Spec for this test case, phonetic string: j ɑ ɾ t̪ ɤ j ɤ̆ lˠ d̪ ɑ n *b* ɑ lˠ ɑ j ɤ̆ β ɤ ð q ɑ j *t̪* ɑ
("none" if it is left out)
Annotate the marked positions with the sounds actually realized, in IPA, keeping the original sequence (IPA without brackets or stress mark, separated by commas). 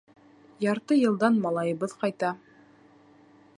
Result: m, t̪